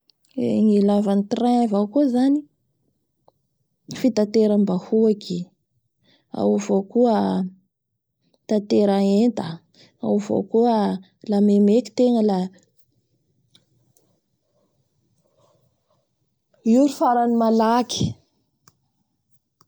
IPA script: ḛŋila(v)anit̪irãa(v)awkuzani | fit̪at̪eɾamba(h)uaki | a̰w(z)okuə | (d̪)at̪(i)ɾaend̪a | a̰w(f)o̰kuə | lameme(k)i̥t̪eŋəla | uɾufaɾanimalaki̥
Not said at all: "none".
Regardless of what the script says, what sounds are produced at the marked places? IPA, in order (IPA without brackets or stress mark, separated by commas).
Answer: v, v, h, v, t̪, e, v, k